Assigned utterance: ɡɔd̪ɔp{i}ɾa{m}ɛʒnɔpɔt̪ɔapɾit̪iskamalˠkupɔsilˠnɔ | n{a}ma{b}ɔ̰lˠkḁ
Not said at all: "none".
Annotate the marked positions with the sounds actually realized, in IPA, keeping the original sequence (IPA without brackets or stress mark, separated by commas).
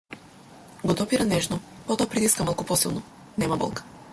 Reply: i, n, ɛ, b